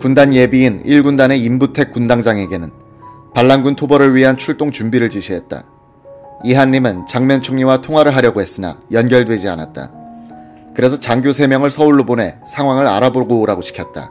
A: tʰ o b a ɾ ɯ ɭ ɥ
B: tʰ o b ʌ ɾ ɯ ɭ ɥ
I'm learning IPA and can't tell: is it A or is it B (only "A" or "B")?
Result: B